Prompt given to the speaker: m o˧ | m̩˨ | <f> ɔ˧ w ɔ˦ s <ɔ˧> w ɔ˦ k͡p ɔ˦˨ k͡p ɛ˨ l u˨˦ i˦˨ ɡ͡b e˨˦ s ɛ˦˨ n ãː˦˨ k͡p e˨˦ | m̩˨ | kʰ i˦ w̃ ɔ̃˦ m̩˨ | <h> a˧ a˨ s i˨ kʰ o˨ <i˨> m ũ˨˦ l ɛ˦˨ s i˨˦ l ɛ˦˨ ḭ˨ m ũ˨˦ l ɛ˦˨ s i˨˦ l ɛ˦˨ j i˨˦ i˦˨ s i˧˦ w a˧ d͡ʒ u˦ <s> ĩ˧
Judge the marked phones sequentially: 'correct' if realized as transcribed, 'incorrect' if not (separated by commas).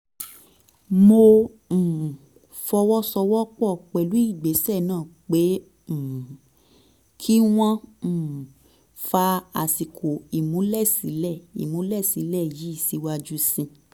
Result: correct, correct, incorrect, correct, correct